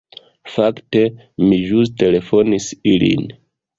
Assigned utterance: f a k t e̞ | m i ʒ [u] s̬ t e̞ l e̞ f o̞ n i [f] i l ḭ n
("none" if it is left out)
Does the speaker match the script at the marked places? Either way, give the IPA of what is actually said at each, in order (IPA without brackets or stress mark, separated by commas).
u, s